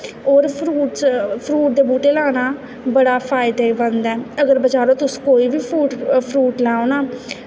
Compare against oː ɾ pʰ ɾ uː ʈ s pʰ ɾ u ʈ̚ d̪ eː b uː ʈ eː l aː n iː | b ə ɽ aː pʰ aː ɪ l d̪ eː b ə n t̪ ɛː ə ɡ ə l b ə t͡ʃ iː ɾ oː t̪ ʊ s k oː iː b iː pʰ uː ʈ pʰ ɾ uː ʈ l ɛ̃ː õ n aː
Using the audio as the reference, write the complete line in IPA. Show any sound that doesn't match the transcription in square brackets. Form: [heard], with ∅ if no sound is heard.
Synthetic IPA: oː ɾ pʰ ɾ uː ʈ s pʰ ɾ [uː] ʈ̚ d̪ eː b uː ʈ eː l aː n [aː] | b ə ɽ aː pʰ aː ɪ [∅] d̪ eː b ə n [d̪] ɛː ə ɡ ə [ɾ] b ə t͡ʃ [aː] ɾ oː t̪ ʊ s k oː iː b iː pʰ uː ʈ pʰ ɾ uː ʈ l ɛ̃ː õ n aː